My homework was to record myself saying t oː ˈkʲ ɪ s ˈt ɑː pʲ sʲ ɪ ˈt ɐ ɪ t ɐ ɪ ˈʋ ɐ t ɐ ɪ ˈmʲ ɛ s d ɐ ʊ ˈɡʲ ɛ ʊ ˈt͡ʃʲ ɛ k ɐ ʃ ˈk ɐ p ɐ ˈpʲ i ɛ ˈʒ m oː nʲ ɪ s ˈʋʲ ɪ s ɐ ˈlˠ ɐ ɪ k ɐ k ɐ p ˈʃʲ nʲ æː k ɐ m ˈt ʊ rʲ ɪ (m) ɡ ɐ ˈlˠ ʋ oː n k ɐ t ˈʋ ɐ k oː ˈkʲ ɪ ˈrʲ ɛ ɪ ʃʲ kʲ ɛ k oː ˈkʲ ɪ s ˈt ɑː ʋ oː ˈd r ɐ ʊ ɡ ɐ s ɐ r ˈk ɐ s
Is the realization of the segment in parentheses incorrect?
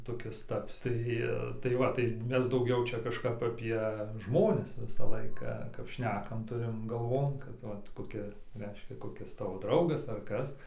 no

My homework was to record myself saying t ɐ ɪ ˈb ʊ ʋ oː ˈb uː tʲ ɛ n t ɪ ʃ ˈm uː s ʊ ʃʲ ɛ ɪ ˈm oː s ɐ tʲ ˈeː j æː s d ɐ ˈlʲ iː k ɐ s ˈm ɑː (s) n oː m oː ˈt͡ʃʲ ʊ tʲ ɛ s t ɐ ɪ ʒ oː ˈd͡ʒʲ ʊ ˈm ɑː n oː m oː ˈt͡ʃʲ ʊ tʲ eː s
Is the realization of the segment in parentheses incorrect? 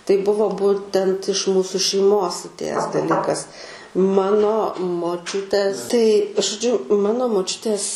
yes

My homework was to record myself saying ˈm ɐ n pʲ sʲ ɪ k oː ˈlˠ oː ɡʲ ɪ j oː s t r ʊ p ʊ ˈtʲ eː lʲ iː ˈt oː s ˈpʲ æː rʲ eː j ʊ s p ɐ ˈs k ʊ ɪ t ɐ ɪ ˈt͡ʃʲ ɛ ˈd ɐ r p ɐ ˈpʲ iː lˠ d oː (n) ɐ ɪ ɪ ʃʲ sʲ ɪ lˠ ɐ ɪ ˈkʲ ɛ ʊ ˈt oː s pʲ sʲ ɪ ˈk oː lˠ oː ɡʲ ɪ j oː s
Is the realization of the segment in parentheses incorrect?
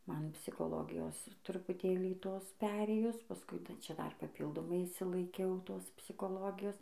yes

